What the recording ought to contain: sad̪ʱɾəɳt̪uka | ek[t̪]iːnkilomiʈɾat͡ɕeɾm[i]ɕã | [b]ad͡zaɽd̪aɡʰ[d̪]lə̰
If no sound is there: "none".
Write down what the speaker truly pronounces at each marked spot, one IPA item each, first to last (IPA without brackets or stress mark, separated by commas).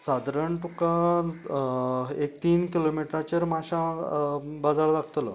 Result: t̪, a, b, t̪